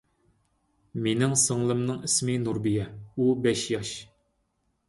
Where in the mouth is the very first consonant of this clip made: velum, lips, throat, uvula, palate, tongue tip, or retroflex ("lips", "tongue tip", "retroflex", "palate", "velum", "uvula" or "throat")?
lips